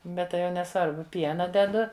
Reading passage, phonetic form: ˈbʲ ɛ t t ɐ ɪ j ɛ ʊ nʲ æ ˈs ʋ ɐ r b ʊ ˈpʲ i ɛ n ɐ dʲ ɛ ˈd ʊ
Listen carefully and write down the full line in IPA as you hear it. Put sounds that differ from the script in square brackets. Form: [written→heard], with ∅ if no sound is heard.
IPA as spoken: ˈbʲ ɛ t t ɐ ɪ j ɛ ʊ nʲ [æ→ɛ] ˈs ʋ ɐ r b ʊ ˈpʲ i ɛ n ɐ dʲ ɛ ˈd ʊ